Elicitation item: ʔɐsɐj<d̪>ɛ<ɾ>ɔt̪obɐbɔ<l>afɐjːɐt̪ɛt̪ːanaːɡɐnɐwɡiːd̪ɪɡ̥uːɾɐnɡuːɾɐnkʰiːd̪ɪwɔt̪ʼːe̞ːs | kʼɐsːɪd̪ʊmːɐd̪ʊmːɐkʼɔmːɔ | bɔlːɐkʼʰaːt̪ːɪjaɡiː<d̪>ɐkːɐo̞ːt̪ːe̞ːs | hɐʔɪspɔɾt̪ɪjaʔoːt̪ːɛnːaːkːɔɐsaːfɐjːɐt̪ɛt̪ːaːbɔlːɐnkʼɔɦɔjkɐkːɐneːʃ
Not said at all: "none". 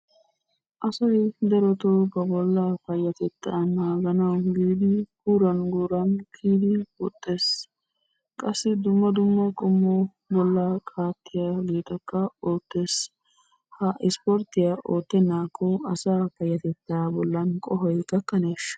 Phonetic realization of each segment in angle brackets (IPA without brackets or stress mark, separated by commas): d̪, ɾ, lː, t̪